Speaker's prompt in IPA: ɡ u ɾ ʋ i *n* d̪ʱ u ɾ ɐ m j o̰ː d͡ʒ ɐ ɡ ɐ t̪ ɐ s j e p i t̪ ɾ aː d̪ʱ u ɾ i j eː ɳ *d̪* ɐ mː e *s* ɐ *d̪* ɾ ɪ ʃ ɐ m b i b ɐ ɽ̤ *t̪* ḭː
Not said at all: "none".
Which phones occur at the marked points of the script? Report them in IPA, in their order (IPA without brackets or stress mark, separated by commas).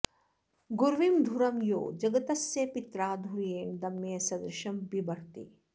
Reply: m, d̪, s, d̪, t̪